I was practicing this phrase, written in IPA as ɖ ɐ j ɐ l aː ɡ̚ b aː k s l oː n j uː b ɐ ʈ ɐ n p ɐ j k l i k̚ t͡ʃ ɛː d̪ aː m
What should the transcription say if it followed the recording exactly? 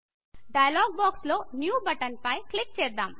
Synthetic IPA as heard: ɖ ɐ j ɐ l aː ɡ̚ b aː k s l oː n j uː b ɐ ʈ ɐ n p ɐ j k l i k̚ t͡ʃ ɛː d̪ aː m

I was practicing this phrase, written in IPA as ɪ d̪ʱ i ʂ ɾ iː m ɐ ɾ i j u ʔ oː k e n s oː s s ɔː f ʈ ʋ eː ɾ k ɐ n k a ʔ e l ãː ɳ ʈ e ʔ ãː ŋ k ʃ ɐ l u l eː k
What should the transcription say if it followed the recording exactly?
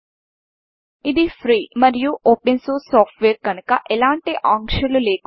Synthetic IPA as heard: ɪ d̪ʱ i f ɾ iː m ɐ ɾ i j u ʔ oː p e n s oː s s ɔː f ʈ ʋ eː ɾ k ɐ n k a ʔ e l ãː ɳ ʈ e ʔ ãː ŋ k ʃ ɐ l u l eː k

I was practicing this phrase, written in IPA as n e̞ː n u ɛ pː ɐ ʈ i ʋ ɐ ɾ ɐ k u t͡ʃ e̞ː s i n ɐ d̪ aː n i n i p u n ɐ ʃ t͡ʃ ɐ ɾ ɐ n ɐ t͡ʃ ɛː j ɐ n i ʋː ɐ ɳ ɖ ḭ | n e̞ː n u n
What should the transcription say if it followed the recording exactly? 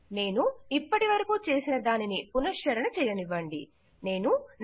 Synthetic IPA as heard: n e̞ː n u i pː ɐ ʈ i ʋ ɐ ɾ ɐ k u t͡ʃ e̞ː s i n ɐ d̪ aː n i n i p u n ɐ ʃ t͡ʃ ɐ ɾ ɐ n ɐ t͡ʃ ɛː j ɐ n i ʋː ɐ ɳ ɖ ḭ | n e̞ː n u n

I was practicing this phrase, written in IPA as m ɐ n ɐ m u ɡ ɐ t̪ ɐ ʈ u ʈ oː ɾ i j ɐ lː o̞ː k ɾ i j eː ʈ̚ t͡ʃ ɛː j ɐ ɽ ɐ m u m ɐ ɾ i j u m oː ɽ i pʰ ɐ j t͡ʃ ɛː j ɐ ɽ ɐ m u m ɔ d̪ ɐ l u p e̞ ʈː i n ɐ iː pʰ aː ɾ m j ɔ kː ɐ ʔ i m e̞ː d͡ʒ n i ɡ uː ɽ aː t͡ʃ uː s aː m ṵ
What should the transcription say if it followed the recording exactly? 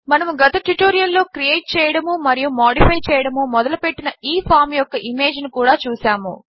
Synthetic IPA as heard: m ɐ n ɐ m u ɡ ɐ t̪ ɐ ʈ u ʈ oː ɾ i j ɐ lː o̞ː k ɾ i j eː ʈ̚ t͡ʃ ɛː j ɐ ɽ ɐ m u m ɐ ɾ i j u m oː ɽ i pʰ ɐ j t͡ʃ ɛː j ɐ ɽ ɐ m u m ɔ d̪ ɐ l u p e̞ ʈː i n ɐ iː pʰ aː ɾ m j ɔ kː ɐ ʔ i m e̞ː d͡ʒ n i k uː ɽ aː t͡ʃ uː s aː m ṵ

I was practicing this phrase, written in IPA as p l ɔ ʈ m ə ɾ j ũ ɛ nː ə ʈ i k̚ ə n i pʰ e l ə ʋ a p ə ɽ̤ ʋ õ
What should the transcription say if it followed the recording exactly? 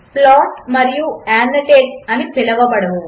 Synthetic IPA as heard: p l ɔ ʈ m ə ɾ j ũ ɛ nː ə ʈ e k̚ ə n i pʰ e l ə ʋ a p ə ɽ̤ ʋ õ

